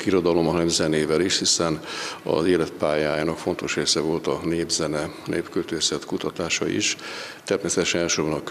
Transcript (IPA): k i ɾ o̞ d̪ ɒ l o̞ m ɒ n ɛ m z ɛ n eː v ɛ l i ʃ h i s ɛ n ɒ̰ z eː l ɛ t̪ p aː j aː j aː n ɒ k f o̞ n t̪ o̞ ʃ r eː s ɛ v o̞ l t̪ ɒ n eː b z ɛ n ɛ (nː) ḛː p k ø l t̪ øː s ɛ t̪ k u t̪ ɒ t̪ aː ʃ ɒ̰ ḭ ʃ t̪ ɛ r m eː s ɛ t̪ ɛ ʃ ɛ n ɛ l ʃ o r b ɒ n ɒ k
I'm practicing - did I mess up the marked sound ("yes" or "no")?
yes